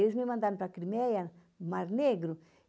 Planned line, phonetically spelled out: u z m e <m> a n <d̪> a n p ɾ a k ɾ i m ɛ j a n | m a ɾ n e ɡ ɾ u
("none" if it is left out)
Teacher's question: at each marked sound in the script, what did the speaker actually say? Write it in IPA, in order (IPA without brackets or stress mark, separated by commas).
m, d̪